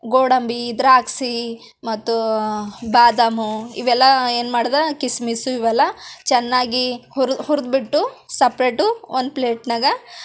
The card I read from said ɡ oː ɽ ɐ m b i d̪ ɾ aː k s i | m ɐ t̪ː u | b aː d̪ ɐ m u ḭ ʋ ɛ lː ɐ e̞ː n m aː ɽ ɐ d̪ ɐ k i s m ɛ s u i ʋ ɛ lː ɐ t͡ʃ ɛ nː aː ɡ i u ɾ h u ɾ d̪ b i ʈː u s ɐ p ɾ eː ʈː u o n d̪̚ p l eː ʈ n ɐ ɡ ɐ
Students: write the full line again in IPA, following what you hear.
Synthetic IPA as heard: ɡ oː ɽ ɐ m b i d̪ ɾ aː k s i | m ɐ t̪ː u | b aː d̪ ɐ m u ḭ ʋ ɛ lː ɐ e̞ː n m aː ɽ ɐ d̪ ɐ k i s m i s u i ʋ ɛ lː ɐ t͡ʃ ɛ nː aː ɡ i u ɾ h u ɾ d̪ b i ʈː u s ɐ p ɾ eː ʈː u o n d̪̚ p l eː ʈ n ɐ ɡ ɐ

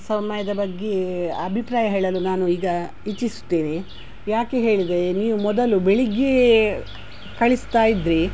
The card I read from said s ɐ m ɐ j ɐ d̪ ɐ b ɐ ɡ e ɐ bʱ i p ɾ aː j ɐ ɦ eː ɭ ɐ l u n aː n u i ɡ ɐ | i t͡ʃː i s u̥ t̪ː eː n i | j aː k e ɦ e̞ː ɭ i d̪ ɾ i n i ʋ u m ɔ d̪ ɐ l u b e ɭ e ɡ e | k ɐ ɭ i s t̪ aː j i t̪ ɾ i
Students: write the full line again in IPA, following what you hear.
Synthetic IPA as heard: s ɐ m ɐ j ɐ d̪ ɐ b ɐ ɡː e ɐ bʱ i p ɾ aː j ɐ ɦ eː ɭ ɐ l u n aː n u iː ɡ ɐ | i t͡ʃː i s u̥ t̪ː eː n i | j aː k e ɦ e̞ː ɭ i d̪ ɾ e n iː ʋ u m ɔ d̪ ɐ l u b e ɭ i ɡ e | k ɐ ɭ i s t̪ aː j i d̪ ɾ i

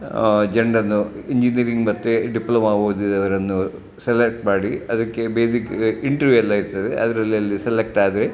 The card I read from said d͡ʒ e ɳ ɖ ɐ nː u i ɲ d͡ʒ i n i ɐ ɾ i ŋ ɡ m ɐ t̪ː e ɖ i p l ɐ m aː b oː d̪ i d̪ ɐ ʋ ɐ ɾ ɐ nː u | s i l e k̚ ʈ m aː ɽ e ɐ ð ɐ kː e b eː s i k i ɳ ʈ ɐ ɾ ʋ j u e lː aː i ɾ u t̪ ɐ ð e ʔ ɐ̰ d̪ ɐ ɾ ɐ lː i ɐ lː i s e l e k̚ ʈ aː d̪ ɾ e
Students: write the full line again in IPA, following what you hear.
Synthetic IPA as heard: d͡ʒ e ɳ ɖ ɐ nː u i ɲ d͡ʒ i n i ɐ ɾ i ŋ ɡ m ɐ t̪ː e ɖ i p l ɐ m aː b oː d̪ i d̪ ɐ ʋ ɐ ɾ ɐ nː u | s e l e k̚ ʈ m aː ɽ i ɐ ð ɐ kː e b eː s i k i ɳ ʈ ɐ ɾ ʋ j u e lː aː i ɾ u t̪ ɐ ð e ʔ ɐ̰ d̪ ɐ ɾ ɐ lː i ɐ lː i s e l e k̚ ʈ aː d̪ ɾ e

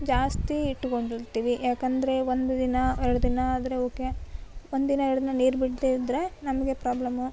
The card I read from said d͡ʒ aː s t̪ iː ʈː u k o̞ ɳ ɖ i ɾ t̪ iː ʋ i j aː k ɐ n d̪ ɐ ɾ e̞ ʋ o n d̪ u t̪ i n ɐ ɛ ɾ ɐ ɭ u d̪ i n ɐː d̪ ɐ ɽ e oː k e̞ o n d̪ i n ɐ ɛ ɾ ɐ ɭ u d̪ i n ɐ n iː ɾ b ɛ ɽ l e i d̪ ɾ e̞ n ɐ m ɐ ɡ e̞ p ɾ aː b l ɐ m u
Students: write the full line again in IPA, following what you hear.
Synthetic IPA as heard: d͡ʒ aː s t̪ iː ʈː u k o̞ ɳ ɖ i ɾ t̪ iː ʋ i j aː k ɐ n d̪ ɐ ɾ e̞ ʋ o n d̪ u d̪ i n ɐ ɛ ɾ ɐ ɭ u d̪ i n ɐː d̪ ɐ ɾ e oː k e̞ o n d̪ i n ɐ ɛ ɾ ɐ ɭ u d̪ i n ɐ n iː ɾ b i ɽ l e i d̪ ɾ e̞ n ɐ m ɐ ɡ e̞ p ɾ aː b l ɐ m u

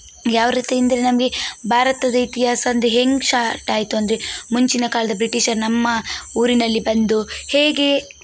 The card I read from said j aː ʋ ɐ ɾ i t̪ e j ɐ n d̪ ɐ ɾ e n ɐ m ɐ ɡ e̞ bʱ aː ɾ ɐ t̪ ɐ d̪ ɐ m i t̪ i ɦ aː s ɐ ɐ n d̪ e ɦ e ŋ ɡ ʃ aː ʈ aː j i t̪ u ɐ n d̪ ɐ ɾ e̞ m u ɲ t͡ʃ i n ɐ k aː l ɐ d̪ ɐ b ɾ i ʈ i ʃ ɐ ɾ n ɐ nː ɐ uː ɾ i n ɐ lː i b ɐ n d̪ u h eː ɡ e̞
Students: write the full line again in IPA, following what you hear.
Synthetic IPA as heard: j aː ʋ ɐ ɾ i t̪ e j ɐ n d̪ ɐ ɾ e n ɐ m ɐ ɡ e̞ bʱ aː ɾ ɐ t̪ ɐ d̪ ɐ i t̪ i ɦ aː s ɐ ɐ n d̪ e ɦ e ŋ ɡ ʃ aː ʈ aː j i t̪ u ɐ n d̪ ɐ ɾ e̞ m u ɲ t͡ʃ i n ɐ k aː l ɐ d̪ ɐ b ɾ i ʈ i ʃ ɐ ɾ n ɐ mː ɐ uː ɾ i n ɐ lː i b ɐ n d̪ u h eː ɡ e̞

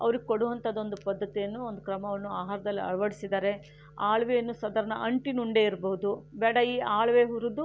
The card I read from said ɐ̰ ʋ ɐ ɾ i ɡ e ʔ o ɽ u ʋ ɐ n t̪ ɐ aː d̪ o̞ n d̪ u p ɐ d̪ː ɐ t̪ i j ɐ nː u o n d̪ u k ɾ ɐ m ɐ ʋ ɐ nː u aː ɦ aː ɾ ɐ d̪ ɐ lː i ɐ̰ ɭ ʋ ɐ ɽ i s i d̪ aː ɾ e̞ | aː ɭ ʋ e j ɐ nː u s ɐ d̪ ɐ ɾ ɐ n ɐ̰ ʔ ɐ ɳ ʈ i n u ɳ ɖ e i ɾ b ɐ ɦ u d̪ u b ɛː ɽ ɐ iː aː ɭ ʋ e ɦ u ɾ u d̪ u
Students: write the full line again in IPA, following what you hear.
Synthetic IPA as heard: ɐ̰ ʋ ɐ ɾ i ɡ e k o ɽ u ʋ ɐ n t̪ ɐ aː d̪ o̞ n d̪ u p ɐ d̪ː ɐ t̪ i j ɐ nː u o n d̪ u k ɾ ɐ m ɐ ʋ ɐ nː u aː ɦ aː ɾ ɐ d̪ ɐ lː i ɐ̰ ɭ ʋ ɐ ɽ i s i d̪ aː ɾ e̞ | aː ɭ ʋ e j ɐ nː u s ɐ d̪ ɐ ɾ ɐ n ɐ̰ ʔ ɐ ɳ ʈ i n u ɳ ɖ e i ɾ b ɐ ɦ u d̪ u b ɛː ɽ ɐ iː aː ɭ ʋ e ɦ u ɾ u d̪ u

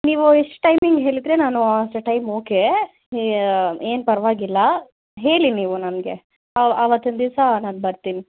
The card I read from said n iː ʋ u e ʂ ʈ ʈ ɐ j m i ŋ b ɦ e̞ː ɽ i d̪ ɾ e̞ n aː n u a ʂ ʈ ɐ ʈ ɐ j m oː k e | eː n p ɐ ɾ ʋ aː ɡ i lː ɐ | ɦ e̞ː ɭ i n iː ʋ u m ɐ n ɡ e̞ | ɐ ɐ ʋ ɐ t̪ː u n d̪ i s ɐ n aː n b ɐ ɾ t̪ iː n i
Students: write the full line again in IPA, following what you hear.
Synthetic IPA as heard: n iː ʋ u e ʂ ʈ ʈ ɐ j m i ŋ ɡ ɦ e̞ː ɭ i d̪ ɾ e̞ n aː n u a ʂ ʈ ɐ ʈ ɐ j m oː k e | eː n p ɐ ɾ ʋ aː ɡ i lː ɐ | ɦ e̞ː ɭ i n iː ʋ u n ɐ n ɡ e̞ | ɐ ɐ ʋ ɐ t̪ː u n d̪ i s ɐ n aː n b ɐ ɾ t̪ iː n i

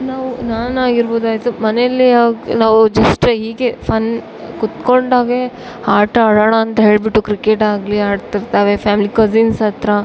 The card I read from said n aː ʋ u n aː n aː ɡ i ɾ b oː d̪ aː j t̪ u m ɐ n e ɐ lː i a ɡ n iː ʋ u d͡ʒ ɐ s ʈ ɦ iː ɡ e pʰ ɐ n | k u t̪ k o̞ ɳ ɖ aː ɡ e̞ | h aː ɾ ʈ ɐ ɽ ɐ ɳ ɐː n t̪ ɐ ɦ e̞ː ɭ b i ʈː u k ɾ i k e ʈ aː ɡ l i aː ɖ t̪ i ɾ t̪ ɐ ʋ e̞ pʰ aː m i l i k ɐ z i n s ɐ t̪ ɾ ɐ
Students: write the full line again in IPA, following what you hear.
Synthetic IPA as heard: n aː ʋ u n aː n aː ɡ i ɾ b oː d̪ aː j t̪ u m ɐ n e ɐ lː i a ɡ n aː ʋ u d͡ʒ ɐ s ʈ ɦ iː ɡ e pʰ ɐ n | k u t̪ k o̞ ɳ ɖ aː ɡ e̞ | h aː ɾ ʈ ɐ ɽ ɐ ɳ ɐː n t̪ ɐ ɦ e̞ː ɭ b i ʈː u k ɾ i k e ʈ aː ɡ l i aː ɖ t̪ i ɾ t̪ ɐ ʋ e̞ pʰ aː m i l i k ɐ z i n s ɐ t̪ ɾ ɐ

